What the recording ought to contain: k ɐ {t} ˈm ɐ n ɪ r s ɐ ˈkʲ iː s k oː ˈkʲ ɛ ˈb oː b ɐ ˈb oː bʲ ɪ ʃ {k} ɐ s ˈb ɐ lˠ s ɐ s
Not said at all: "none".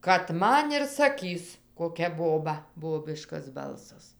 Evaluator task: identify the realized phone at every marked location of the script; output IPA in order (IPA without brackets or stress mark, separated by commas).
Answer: t, k